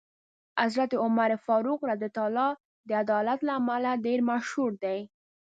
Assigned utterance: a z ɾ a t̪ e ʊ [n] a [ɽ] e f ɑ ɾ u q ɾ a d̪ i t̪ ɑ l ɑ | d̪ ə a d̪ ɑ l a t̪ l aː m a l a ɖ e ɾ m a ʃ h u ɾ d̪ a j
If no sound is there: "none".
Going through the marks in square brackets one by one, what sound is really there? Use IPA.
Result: m, ɾ

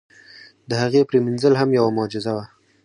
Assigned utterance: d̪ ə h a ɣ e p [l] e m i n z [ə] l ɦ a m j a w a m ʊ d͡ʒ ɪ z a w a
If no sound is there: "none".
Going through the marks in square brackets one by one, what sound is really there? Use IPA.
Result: ɾ, ə

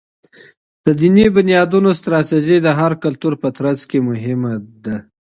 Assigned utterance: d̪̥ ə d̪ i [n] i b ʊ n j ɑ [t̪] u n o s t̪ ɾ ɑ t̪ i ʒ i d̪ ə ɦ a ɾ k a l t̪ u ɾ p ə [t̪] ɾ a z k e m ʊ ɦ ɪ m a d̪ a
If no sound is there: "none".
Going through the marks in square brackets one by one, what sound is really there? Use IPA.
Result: n, d̪, t̪

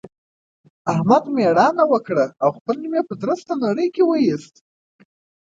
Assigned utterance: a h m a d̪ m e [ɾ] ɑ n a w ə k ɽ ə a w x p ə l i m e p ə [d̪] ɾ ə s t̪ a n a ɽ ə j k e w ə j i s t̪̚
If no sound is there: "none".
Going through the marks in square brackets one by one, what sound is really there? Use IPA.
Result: ɽ, d̪

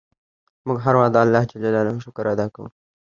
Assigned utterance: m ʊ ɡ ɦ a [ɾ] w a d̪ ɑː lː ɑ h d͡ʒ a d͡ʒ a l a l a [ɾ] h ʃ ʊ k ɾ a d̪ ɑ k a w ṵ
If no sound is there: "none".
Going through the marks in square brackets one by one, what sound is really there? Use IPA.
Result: ɾ, none

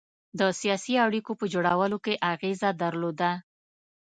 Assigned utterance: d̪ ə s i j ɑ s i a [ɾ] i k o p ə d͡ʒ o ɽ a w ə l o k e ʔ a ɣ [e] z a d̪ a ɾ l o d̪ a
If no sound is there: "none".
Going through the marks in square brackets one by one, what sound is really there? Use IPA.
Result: ɽ, e

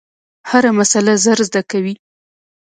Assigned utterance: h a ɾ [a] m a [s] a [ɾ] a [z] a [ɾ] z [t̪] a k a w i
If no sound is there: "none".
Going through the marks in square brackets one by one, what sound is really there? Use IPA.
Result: a, s, l, z, ɾ, d̪

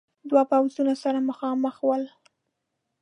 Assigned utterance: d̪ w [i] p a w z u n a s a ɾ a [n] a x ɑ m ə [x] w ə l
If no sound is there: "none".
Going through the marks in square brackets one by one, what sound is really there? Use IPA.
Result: a, m, x

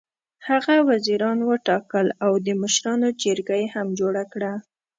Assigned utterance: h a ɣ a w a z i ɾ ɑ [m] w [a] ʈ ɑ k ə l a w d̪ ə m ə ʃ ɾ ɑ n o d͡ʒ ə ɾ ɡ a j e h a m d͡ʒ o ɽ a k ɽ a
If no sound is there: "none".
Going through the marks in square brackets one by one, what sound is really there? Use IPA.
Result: n, ə

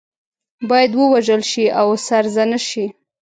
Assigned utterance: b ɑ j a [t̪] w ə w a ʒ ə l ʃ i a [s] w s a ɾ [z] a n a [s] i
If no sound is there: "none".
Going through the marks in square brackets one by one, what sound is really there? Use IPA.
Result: d̪, none, z, ʃ

